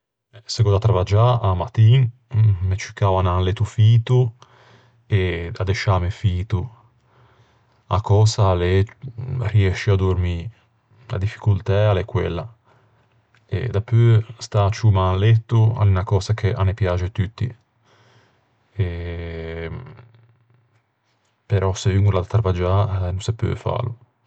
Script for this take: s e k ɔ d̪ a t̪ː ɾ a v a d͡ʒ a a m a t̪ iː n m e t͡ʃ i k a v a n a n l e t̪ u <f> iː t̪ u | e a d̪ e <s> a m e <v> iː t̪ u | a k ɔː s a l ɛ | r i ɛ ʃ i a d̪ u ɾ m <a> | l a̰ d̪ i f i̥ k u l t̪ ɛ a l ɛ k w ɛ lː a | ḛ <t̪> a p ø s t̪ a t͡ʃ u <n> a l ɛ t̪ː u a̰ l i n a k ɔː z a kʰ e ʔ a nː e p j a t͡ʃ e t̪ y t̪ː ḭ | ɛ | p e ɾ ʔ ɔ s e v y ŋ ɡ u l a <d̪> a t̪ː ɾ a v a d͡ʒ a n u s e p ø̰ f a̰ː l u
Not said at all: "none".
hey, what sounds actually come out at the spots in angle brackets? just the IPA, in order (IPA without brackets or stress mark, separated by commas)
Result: f, ʃ, f, i, d̪, m, d̪